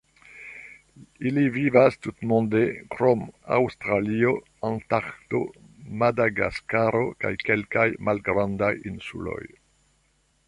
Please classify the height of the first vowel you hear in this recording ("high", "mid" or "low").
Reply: high